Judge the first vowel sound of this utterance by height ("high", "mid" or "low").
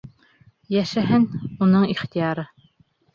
low